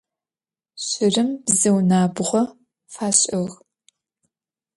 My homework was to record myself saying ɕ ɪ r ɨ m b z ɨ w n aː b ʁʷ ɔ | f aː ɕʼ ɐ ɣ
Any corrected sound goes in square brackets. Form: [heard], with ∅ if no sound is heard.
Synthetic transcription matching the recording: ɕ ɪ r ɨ m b z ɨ w n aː b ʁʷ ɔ | f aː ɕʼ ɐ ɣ